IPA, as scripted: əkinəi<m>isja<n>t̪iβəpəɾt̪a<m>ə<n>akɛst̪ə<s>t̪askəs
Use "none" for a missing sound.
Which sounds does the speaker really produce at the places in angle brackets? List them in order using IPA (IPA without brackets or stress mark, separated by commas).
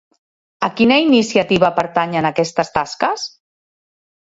n, none, ɲ, n, s